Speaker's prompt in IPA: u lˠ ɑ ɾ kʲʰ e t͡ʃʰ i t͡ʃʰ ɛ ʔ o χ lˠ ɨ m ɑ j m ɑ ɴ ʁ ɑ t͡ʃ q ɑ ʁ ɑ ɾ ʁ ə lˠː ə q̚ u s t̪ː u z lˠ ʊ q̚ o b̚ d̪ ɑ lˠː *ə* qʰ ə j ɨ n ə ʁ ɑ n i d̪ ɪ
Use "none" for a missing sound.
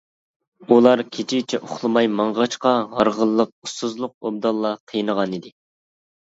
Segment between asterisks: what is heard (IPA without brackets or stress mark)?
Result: ɑ